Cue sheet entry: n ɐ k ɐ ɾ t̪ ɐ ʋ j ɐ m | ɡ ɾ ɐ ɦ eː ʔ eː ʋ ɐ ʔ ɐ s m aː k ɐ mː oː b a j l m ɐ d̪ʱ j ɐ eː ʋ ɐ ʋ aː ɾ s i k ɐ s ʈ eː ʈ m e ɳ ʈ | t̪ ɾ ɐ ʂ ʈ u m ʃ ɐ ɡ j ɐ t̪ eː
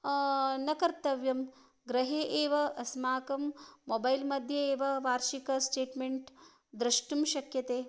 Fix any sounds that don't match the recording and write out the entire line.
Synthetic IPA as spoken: n ɐ k ɐ ɾ t̪ ɐ ʋ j ɐ m | ɡ ɾ ɐ ɦ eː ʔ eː ʋ ɐ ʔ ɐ s m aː k ɐ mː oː b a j l m ɐ d̪ʱ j ɐ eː ʋ ɐ ʋ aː ɾ ʃ i k ɐ s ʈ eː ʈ m e ɳ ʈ | d̪ ɾ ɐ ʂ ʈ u m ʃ ɐ k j ɐ t̪ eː